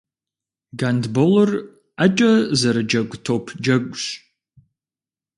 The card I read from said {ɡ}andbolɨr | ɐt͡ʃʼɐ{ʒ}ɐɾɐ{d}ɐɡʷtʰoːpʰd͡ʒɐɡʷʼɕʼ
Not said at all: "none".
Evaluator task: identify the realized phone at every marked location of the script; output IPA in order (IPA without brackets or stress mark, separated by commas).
ɡ, z, d͡ʒ